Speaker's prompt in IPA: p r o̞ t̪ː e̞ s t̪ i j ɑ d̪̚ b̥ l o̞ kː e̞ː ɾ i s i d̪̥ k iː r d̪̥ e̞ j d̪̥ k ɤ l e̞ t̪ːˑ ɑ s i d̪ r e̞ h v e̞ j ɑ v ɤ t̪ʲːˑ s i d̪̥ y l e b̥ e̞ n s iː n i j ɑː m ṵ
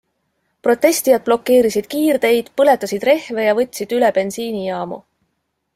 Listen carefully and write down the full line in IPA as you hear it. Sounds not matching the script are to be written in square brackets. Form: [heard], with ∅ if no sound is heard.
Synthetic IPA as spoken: p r o̞ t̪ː e̞ s t̪ i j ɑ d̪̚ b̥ l o̞ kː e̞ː ɾ i s i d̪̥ k iː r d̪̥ e̞ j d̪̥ [p] ɤ l e̞ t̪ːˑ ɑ s i d̪ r e̞ h v e̞ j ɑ v ɤ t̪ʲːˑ s i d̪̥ y l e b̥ e̞ n s iː n i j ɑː m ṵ